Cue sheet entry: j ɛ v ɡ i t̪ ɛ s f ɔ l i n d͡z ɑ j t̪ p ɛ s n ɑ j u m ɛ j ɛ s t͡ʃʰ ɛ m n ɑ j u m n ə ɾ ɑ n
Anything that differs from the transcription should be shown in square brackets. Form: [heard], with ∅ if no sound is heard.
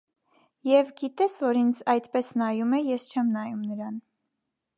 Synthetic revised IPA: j ɛ v ɡ i t̪ ɛ s [v] ɔ [ɾ] i n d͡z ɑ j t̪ p ɛ s n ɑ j u m ɛ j ɛ s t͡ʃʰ ɛ m n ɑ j u m n ə ɾ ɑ n